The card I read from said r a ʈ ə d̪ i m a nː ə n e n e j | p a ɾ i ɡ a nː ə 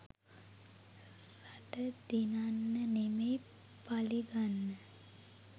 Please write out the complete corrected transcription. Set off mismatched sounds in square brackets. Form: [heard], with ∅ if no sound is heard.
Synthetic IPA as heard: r a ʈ ə d̪ i [n] a nː ə n e [m] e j | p a [l] i ɡ a nː ə

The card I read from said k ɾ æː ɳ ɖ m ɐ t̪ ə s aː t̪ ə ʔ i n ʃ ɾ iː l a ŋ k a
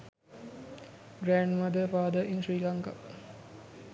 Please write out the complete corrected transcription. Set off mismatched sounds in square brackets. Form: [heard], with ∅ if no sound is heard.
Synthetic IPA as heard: [ɡ] ɾ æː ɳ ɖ m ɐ [d̪] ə [f] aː [d̪] ə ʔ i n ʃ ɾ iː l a ŋ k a

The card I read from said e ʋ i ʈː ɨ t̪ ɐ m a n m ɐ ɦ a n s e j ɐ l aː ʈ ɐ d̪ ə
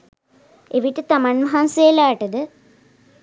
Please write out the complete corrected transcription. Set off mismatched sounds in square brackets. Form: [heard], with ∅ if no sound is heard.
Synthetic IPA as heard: e ʋ i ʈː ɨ t̪ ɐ m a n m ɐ ɦ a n s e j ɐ l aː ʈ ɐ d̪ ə

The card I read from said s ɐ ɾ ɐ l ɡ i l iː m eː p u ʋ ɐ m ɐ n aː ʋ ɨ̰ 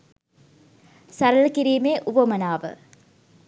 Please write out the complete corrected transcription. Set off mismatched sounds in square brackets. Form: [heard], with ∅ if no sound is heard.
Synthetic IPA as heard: s ɐ ɾ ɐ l [k] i [ɾ] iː m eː [ʔ] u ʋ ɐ m ɐ n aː ʋ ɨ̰

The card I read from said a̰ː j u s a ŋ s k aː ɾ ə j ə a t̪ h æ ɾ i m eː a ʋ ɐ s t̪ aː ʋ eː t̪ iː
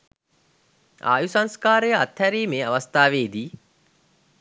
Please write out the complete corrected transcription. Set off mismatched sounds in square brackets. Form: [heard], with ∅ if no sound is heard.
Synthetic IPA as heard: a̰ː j u s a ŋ s k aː ɾ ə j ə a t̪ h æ ɾ [iː] m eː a ʋ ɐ s t̪ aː ʋ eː [d̪] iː

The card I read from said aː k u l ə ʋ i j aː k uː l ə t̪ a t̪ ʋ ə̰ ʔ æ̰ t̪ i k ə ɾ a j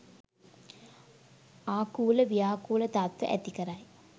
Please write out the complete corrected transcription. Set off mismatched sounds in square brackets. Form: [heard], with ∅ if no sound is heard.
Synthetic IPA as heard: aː k [uː] l ə ʋ i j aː k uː l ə t̪ a t̪ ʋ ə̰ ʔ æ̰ t̪ i k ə ɾ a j

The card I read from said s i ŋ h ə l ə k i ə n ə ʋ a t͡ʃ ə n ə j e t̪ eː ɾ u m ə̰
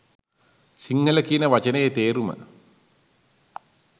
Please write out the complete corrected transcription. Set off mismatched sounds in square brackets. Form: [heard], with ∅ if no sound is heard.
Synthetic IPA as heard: s i ŋ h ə l ə k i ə n ə ʋ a t͡ʃ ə n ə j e t̪ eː ɾ u m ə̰

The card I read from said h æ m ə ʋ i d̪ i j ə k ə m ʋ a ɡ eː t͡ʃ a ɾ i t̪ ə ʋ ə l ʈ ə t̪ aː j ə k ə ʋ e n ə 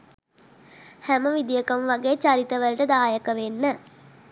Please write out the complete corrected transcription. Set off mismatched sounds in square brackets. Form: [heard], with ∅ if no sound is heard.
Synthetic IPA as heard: h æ m ə ʋ i d̪ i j ə k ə m ʋ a ɡ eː t͡ʃ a ɾ i t̪ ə ʋ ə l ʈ ə [d̪] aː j ə k ə ʋ e [nː] ə

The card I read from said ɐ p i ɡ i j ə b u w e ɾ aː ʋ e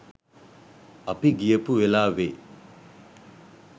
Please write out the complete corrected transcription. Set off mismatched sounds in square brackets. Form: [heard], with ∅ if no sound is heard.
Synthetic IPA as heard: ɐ p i ɡ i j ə [p] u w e [l] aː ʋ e

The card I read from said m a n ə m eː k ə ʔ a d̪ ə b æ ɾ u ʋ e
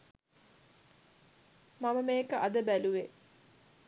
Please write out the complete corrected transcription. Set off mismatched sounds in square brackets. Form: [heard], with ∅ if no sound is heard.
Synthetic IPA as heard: m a [m] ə m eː k ə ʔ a d̪ ə b æ [l] u ʋ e

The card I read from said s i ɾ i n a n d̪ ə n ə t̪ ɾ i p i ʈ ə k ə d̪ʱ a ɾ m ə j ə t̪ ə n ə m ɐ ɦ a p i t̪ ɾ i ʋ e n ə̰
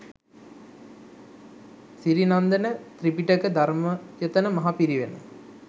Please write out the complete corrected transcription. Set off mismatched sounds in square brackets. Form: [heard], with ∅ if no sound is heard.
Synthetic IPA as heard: s i ɾ i n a n d̪ ə n ə t̪ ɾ i p i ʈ ə k ə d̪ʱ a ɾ m ə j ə t̪ ə n ə m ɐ ɦ a p i [∅] ɾ i ʋ e n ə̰

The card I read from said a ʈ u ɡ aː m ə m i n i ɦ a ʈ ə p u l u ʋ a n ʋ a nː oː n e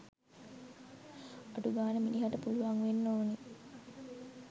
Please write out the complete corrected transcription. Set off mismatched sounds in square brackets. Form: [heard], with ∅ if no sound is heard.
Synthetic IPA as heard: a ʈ u ɡ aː [n] ə m i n i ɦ a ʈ ə p u l u ʋ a [ŋ] ʋ [e] nː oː n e

